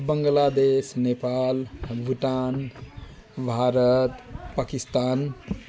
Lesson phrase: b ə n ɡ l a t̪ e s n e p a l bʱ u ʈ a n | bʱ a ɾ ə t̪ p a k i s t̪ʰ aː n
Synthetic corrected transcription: b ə ŋ ɡ l a d̪ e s n e p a l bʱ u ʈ a n | bʱ a ɾ ə t̪ p a k i s t̪ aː n